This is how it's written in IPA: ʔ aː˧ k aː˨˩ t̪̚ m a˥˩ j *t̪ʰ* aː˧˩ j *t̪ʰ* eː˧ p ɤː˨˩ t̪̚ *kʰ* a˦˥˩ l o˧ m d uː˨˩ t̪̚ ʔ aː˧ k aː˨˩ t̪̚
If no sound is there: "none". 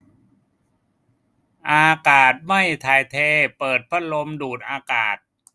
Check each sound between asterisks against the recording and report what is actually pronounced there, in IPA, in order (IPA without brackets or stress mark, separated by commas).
t̪ʰ, t̪ʰ, pʰ